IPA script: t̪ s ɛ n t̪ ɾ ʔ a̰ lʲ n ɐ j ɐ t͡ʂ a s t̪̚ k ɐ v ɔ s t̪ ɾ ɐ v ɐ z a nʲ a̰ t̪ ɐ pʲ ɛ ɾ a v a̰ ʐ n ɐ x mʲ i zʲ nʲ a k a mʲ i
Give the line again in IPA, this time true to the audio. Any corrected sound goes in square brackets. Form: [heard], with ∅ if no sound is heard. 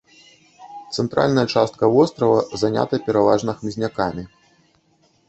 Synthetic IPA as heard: t̪ s ɛ n t̪ ɾ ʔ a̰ lʲ n ɐ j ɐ t͡ʂ a s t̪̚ k ɐ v ɔ s t̪ ɾ ɐ v ɐ z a nʲ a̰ t̪ ɐ pʲ ɛ ɾ a v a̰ ʐ n ɐ x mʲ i zʲ nʲ a k a mʲ i